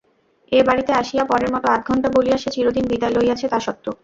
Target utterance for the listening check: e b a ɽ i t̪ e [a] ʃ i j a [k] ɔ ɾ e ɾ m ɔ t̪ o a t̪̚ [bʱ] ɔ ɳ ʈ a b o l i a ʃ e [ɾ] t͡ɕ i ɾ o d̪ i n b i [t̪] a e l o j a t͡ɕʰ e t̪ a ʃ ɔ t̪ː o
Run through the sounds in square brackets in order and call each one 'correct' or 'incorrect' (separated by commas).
correct, incorrect, incorrect, incorrect, incorrect